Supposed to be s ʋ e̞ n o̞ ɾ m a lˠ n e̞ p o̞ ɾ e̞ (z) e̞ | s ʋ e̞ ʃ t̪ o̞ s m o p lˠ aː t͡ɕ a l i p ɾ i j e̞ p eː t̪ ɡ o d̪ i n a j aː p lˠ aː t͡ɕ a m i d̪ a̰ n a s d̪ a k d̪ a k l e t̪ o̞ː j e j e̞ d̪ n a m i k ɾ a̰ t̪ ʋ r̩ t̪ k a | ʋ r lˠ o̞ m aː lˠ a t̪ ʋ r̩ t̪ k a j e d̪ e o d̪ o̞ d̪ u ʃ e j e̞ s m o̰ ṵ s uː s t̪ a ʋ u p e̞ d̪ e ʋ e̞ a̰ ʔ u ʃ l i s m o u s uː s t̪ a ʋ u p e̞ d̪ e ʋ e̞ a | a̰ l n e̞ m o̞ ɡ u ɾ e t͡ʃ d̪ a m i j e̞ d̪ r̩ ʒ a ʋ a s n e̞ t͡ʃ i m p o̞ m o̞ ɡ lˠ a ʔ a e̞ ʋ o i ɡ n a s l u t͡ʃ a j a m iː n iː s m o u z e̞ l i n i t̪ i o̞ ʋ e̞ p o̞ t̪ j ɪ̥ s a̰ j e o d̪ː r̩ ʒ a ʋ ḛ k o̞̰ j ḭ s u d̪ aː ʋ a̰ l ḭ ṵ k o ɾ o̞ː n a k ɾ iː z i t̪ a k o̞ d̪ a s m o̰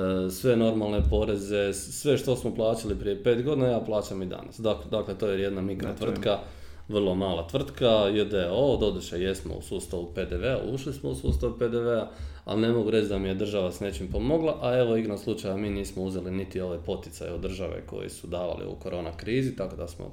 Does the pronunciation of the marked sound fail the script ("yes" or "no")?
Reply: no